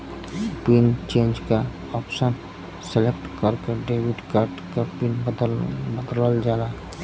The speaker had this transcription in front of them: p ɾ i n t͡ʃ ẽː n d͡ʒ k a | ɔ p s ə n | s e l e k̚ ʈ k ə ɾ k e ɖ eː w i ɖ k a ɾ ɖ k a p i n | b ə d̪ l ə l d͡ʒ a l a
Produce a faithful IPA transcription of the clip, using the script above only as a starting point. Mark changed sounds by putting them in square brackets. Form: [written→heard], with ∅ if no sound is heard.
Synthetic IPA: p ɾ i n t͡ʃ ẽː n d͡ʒ k a | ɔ p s ə n | s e l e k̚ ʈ k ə ɾ k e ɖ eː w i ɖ k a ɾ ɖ k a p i n | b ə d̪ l ə l d͡ʒ a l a